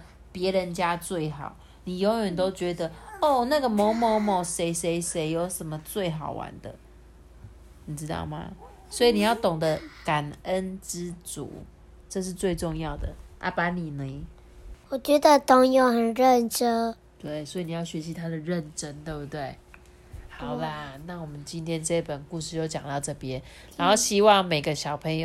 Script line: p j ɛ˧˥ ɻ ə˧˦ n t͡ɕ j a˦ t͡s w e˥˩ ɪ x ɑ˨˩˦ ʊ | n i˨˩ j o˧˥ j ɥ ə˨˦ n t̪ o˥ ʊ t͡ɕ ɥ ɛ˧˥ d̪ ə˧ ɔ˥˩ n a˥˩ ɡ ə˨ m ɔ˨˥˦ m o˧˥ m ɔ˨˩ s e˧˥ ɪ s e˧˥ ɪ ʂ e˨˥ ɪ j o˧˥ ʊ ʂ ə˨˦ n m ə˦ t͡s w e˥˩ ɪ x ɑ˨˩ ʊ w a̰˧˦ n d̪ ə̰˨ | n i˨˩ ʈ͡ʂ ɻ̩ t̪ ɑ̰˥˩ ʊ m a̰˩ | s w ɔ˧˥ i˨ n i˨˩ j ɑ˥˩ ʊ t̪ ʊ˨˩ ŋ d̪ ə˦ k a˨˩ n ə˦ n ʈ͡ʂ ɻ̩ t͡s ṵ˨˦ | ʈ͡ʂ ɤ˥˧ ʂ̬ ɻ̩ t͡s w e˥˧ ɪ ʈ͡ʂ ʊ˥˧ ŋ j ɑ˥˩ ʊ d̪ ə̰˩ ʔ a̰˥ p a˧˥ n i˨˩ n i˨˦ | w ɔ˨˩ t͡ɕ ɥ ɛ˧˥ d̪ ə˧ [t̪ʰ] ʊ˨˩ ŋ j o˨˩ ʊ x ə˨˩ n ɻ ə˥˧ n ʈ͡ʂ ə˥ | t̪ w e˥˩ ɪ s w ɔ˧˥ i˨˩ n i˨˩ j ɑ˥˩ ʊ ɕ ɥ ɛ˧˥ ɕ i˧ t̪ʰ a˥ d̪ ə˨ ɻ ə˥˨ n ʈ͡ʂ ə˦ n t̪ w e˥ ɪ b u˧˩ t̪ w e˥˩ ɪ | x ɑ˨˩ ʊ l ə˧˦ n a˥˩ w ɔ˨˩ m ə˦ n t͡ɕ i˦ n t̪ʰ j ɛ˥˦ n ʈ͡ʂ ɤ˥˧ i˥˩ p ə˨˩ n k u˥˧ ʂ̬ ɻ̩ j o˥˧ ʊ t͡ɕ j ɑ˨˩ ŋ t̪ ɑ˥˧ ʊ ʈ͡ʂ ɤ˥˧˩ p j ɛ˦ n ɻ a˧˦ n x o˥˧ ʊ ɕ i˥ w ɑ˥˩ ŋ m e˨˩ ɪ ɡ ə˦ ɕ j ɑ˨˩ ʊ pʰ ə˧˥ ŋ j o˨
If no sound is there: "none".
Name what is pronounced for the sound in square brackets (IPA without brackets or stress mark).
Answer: t̪